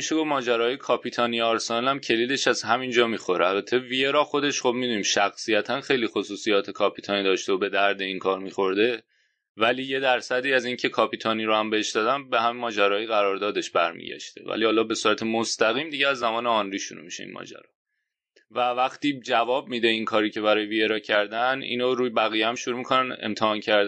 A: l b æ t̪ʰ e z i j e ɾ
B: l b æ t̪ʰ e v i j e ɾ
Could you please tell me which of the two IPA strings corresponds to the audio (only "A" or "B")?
B